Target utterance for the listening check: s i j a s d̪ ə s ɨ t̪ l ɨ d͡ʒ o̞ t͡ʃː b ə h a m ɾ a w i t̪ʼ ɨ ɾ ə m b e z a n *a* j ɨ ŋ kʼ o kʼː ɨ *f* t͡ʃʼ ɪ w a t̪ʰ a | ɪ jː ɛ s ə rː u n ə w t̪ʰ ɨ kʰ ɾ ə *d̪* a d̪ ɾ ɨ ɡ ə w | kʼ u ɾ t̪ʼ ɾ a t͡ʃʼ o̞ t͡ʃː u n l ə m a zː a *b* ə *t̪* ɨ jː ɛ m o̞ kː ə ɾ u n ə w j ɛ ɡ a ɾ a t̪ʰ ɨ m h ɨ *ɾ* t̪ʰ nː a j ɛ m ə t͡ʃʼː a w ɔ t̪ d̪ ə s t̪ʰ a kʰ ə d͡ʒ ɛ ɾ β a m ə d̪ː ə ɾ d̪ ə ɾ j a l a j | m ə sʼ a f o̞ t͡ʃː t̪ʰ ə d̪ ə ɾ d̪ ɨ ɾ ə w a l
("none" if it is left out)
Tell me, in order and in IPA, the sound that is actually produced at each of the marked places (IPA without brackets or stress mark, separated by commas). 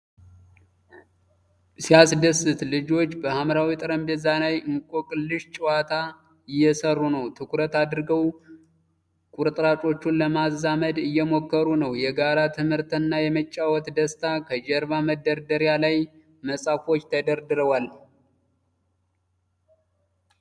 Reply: a, ʃ, t̪, m, d̪, ɾ